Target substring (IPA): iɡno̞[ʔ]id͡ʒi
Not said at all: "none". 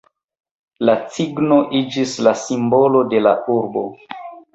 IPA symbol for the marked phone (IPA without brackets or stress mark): ʔ